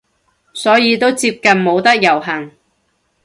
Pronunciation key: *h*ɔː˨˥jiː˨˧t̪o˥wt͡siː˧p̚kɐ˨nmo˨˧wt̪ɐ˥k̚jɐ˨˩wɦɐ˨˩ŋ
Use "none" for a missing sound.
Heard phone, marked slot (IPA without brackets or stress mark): s